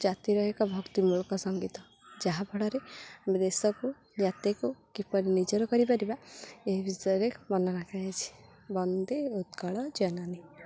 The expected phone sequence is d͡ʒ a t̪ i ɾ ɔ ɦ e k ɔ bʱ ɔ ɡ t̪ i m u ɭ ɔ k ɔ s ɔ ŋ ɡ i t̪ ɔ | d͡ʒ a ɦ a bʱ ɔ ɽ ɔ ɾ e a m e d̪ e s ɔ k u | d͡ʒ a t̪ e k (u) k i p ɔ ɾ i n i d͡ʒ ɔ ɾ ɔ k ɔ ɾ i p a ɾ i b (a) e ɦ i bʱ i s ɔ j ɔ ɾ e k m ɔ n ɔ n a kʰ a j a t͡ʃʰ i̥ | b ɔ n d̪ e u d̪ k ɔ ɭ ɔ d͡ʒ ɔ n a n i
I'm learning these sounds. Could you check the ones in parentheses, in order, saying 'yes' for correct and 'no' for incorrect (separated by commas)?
yes, yes